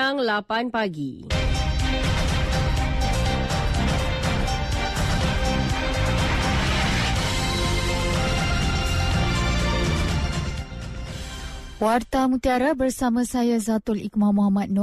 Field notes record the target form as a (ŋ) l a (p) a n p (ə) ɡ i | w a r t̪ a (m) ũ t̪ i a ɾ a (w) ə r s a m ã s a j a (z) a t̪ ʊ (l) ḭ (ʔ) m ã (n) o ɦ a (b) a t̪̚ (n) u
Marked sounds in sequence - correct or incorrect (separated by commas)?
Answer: correct, correct, incorrect, correct, incorrect, correct, correct, incorrect, incorrect, incorrect, correct